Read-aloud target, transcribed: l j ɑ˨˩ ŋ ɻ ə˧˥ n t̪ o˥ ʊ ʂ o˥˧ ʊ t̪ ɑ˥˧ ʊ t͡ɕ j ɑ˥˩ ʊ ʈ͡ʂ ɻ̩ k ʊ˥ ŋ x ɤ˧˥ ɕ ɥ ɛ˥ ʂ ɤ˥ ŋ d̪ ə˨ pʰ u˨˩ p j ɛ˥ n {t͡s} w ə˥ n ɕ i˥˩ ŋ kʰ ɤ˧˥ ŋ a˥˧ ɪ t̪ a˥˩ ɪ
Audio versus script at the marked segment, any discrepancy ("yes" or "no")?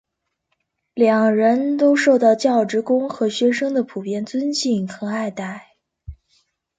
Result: no